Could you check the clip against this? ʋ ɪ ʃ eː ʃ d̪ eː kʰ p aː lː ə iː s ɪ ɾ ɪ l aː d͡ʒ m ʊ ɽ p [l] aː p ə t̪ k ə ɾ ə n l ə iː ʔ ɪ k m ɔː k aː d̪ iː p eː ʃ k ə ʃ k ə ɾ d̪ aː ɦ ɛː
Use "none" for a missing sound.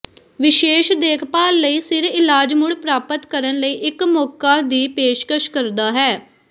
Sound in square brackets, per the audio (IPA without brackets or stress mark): ɾ